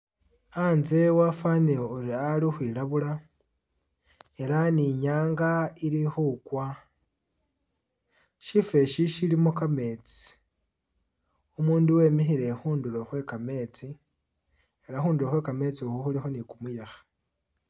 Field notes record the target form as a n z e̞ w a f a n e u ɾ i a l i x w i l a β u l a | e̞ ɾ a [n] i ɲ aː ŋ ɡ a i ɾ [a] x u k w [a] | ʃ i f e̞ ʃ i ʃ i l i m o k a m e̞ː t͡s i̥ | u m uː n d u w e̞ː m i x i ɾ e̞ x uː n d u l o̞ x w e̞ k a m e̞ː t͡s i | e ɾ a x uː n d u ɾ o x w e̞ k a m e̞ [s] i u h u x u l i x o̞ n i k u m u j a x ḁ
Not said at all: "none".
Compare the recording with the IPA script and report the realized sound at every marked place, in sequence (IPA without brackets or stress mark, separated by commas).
n, i, a, t͡s